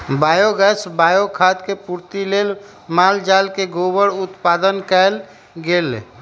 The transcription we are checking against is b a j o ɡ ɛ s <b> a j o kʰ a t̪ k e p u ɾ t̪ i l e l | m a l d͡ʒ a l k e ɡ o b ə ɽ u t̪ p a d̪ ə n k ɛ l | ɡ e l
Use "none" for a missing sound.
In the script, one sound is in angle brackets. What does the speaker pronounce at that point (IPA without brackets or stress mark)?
b